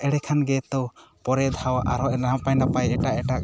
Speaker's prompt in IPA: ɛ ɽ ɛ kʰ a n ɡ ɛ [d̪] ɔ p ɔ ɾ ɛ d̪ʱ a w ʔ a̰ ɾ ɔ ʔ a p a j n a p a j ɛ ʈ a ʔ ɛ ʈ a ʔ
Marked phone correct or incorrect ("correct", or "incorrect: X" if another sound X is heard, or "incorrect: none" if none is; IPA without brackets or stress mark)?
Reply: incorrect: t̪